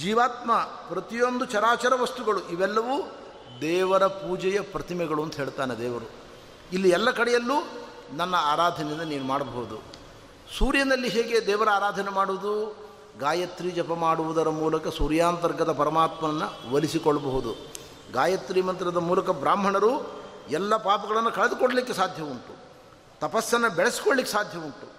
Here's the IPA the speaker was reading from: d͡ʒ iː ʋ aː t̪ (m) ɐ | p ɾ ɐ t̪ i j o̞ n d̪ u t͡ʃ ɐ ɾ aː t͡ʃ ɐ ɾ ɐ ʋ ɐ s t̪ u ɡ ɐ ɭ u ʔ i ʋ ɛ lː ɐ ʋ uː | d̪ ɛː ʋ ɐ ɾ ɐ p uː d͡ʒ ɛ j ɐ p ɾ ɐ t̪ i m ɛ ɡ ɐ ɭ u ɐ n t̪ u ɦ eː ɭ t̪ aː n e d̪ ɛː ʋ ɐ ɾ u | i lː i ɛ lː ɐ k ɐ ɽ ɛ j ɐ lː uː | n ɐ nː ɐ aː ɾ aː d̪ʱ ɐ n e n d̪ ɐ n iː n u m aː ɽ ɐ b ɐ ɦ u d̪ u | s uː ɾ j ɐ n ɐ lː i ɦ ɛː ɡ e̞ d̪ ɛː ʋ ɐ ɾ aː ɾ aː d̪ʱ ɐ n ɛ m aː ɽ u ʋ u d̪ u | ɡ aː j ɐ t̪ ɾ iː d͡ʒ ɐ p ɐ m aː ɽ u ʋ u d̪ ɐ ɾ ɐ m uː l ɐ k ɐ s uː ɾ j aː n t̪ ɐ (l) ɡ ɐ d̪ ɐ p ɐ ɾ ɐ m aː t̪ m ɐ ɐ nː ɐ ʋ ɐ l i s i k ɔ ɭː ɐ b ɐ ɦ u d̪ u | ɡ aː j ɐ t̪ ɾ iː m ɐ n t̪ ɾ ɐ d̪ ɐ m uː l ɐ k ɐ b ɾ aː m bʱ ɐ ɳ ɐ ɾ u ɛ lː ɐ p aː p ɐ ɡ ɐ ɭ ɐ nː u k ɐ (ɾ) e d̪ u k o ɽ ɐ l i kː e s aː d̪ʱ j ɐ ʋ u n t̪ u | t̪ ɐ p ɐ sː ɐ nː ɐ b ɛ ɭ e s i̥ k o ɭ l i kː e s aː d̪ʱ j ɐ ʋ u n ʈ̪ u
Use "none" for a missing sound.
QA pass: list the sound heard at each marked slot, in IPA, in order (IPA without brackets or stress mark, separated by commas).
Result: m, ɾ, ɭ